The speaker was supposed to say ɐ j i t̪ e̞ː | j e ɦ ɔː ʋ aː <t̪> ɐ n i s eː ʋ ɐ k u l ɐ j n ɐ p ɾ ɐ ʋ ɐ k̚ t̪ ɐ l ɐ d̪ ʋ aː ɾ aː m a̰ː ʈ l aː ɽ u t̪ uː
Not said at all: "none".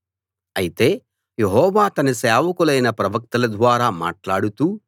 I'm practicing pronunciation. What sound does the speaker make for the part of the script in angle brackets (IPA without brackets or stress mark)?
t̪